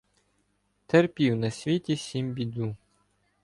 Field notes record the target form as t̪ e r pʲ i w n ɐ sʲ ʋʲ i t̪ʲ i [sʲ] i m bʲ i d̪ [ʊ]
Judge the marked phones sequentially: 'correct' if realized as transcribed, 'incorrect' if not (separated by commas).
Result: correct, incorrect